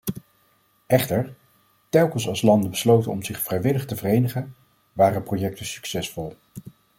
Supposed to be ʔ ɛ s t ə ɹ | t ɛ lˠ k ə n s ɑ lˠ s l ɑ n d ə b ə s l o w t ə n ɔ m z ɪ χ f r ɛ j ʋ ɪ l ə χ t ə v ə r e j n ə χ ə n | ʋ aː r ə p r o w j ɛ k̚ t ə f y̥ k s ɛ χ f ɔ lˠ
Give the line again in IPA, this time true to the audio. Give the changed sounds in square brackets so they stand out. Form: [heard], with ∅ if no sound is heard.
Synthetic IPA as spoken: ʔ ɛ [χ] t ə ɹ | t ɛ lˠ k ə n s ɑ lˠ s l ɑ n d ə b ə s l o w t ə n ɔ m z ɪ χ f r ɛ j ʋ ɪ l ə χ t ə v ə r e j n ə χ ə n | ʋ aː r ə p r o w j ɛ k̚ t ə [s] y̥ k s ɛ [s] f ɔ lˠ